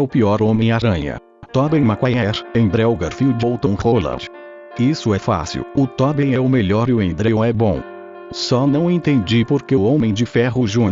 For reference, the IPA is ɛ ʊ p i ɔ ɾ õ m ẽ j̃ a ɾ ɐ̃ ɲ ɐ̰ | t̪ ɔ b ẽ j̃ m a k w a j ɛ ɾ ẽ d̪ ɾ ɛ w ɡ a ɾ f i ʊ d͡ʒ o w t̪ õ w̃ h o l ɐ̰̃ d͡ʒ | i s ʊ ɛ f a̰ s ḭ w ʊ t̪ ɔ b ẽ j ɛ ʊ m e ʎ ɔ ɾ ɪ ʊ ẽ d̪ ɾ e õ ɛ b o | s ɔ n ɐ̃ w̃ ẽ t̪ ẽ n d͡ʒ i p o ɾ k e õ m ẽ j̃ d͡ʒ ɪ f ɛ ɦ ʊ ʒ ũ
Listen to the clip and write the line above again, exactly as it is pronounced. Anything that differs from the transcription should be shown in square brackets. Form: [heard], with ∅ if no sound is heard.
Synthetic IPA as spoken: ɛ ʊ p i ɔ ɾ õ m ẽ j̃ a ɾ ɐ̃ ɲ ɐ̰ | t̪ ɔ b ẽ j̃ m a k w a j ɛ ɾ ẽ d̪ ɾ ɛ w ɡ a ɾ f i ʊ d͡ʒ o w t̪ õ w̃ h o l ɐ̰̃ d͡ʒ | i s ʊ ɛ f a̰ s ḭ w ʊ t̪ ɔ b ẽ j ɛ ʊ m e ʎ ɔ ɾ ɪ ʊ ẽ d̪ ɾ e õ ɛ b [õ] | s ɔ n ɐ̃ w̃ ẽ t̪ ẽ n d͡ʒ i p o ɾ k e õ m ẽ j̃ d͡ʒ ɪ f ɛ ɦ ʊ ʒ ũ